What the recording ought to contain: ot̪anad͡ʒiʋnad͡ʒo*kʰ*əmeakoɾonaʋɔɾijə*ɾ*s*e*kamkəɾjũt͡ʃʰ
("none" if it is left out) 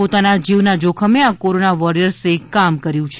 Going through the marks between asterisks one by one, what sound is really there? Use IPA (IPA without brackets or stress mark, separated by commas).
kʰ, ɾ, e